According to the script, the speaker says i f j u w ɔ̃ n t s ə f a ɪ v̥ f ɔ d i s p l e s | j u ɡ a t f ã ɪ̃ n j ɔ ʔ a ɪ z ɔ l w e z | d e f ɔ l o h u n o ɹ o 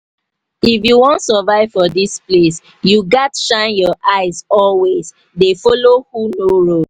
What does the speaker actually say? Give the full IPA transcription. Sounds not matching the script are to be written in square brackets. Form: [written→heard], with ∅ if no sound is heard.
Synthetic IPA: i f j u w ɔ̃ n t s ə [f→v] a ɪ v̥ f ɔ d i s p l e s | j u ɡ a t [f→ʃ] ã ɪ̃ n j ɔ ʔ a ɪ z ɔ l w e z | d e f ɔ l o h u n o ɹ o

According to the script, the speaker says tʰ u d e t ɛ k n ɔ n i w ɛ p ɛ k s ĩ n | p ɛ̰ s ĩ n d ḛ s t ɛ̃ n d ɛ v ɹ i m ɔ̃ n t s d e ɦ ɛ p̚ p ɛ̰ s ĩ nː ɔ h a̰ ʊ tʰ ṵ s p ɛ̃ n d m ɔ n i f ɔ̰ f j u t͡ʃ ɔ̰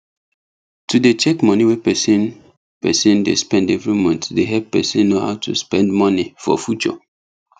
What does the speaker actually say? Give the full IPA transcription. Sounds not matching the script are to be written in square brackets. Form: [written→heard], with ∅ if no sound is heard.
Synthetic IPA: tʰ u d e [t→t͡ʃ] ɛ k [n→m] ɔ n i w ɛ p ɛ [k→∅] s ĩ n | p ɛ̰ s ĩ n d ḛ s [t→p] ɛ̃ n d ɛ v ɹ i m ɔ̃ n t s d e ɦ ɛ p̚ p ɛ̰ s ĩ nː [ɔ→o] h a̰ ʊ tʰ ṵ s p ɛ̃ n d m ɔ n i f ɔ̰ f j u t͡ʃ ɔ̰

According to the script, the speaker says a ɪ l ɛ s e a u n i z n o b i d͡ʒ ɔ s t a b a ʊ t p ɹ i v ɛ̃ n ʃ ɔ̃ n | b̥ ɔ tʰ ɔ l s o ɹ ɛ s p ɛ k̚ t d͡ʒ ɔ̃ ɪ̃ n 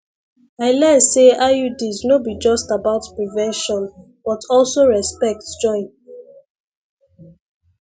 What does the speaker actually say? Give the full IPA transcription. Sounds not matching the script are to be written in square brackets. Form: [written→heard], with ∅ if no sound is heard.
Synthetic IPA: a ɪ l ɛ s e a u [n→d] i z n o b i d͡ʒ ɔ s t a b a ʊ t p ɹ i v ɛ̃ n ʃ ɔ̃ n | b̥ ɔ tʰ ɔ l s o ɹ ɛ s p ɛ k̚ t d͡ʒ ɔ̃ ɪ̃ n

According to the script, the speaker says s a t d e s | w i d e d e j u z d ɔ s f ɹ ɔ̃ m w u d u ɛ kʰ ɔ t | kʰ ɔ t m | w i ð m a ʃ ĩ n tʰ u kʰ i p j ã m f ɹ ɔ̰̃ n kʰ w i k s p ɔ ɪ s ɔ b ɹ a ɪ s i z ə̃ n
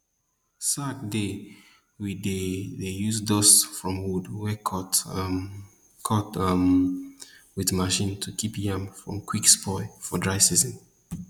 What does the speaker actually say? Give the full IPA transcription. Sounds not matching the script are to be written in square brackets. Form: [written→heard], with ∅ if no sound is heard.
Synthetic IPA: s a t d e [s→∅] | w i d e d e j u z d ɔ s f ɹ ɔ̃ m w u d [u→w] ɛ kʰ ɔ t | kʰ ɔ t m | w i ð m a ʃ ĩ n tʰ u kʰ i p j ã m f ɹ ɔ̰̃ [n→m] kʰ w i k s p ɔ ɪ [s→f] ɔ [b→d] ɹ a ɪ s i z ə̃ n

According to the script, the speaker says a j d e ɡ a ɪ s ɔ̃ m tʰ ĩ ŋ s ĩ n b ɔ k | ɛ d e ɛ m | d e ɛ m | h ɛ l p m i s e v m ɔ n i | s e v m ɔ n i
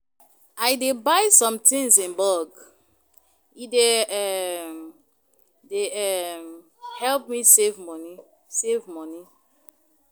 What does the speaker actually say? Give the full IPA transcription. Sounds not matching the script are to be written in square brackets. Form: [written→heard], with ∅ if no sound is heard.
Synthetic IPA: a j d e [ɡ→b] a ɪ s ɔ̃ m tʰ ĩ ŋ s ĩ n b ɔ [k→ɡ] | [ɛ→i] d e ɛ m | d e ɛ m | h ɛ l p m i s e v m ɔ n i | s e v m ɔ n i

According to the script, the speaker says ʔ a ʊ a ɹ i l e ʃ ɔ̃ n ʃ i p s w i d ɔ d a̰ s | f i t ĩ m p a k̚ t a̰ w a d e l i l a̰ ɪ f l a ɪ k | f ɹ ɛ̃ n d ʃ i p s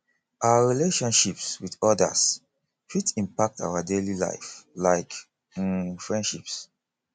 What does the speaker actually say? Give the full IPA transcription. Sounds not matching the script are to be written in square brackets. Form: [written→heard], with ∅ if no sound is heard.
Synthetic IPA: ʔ a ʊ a ɹ i l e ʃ ɔ̃ n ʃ i p s w i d ɔ d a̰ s | f i t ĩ m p a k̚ t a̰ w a d e l i l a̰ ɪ f l a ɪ k | f ɹ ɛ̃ n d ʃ i p s

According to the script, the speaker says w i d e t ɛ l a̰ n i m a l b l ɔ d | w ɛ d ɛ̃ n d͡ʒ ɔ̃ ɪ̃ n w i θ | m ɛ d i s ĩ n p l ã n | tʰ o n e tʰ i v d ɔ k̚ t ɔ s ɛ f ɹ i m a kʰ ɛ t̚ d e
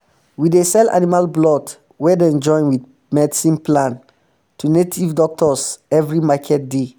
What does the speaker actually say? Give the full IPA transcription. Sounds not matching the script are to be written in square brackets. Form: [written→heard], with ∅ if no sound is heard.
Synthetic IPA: w i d e [t→s] ɛ l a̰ n i m a l b l ɔ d | w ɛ d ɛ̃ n d͡ʒ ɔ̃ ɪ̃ n w i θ | m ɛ d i s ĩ n p l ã n | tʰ [o→u] n e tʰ i v d ɔ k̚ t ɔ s ɛ [f→v] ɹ i m a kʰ ɛ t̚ d e

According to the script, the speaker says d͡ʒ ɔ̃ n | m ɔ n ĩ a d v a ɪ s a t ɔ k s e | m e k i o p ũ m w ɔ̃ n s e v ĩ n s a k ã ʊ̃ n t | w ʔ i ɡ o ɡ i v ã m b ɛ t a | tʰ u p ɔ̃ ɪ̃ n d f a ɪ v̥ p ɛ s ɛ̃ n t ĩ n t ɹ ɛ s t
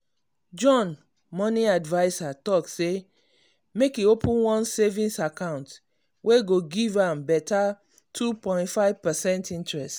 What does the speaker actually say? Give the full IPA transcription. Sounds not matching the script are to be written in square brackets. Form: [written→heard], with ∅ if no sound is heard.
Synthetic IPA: d͡ʒ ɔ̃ n | m ɔ n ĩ a d v a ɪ s a t ɔ k s e | m e k i o p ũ [m→n] w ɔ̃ n s e v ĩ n s a k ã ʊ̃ n t | w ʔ [i→e] ɡ o ɡ i v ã m b ɛ t a | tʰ u p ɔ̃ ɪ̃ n [d→t] f a ɪ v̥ p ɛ s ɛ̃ n t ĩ n t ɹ ɛ s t

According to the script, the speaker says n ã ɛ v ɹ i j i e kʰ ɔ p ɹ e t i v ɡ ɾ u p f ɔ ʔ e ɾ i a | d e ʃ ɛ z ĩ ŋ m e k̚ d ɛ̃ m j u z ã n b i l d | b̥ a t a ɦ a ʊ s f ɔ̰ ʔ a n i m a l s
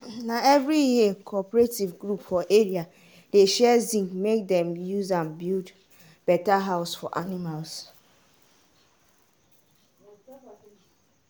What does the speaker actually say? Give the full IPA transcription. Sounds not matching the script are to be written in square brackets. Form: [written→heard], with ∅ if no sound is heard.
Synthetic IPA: n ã ɛ v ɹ i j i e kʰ ɔ p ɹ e t i v ɡ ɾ u p f ɔ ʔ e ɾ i a | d e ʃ ɛ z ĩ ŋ m e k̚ d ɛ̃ m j u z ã n b i l d | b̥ [a→ɛ] t a ɦ a ʊ s f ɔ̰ ʔ a n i m a l s

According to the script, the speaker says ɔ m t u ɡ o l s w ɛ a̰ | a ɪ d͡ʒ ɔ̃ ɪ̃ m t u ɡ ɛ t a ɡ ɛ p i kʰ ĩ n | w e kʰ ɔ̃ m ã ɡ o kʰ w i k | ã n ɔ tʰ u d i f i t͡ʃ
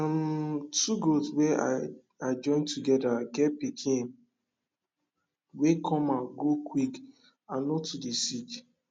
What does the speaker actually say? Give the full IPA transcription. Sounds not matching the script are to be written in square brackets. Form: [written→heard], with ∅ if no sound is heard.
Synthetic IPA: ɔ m t u ɡ o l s w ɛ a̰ | a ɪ d͡ʒ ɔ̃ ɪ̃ [m→n] t u ɡ ɛ [t→d] a ɡ ɛ p i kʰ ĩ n | w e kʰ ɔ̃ m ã ɡ o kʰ w i k | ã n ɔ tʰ u d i [f→s] i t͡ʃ

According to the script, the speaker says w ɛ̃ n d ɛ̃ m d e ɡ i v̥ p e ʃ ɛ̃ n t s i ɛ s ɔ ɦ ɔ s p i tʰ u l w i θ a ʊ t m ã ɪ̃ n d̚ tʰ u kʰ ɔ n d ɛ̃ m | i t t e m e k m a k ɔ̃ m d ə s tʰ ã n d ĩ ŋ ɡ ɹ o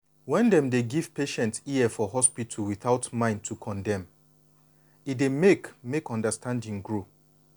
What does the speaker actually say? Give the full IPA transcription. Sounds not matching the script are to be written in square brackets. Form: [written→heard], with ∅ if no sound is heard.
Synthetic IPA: w ɛ̃ n d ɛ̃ m d e ɡ i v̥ p e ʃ ɛ̃ n t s i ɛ [s→f] ɔ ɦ ɔ s p i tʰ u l w i θ a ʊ t m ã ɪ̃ n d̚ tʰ u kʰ [ɔ→ɔ̃] n d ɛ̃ m | i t [t→d] e m e k m [a→e] k ɔ̃ [m→n] d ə s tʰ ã n d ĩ ŋ ɡ ɹ o

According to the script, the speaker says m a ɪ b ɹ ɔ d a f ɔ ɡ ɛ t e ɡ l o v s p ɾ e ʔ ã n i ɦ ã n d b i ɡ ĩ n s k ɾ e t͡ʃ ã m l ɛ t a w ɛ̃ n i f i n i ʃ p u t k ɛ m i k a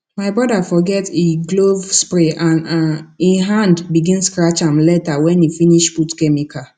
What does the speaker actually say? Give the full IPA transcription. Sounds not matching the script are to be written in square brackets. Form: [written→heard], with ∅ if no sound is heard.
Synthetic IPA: m a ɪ b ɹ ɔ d a f ɔ ɡ ɛ t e ɡ l o v s p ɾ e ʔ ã n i ɦ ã n d b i ɡ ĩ n s k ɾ [e→a] t͡ʃ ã m l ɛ t a w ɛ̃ n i f i n i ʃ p u t k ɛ m i k a

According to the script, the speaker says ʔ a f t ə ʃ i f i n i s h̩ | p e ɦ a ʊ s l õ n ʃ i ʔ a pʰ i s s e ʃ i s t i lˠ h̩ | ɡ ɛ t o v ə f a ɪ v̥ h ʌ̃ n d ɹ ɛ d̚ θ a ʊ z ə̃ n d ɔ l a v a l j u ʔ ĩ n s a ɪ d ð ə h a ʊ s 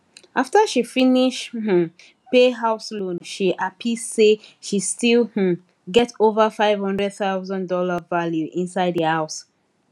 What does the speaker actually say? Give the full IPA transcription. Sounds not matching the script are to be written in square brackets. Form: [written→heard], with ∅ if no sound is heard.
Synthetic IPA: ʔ a f t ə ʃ i f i n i [s→ʃ] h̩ | p e ɦ a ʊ s l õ n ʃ i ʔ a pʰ i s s e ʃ i s t i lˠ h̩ | ɡ ɛ t o v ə f a ɪ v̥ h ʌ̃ n d ɹ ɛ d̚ θ a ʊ z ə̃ n d ɔ l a v a l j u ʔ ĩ n s a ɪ d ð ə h a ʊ s

